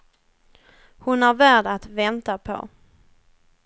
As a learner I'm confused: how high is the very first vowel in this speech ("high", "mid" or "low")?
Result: high